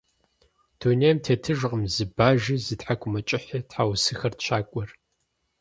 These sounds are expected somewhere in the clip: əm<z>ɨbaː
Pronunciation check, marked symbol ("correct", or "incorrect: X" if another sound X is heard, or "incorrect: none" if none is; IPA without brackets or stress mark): correct